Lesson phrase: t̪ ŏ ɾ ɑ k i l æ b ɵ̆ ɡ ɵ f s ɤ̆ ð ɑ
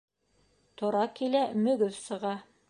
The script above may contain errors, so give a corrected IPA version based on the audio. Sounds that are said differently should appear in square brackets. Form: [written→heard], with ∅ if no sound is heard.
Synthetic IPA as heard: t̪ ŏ ɾ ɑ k i l æ [b→m] ɵ̆ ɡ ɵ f s ɤ̆ [ð→ʁ] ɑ